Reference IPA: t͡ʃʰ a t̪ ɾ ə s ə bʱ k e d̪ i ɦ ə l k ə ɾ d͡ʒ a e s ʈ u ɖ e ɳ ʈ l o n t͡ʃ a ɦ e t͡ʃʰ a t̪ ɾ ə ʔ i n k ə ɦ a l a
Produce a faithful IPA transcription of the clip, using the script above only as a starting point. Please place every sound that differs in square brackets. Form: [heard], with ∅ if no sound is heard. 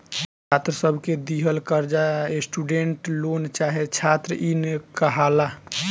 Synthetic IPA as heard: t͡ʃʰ a t̪ ɾ ə s ə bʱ k e d̪ i ɦ ə l k ə ɾ d͡ʒ a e s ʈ u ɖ e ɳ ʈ l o n t͡ʃ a ɦ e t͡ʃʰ a t̪ ɾ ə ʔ i n k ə ɦ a l a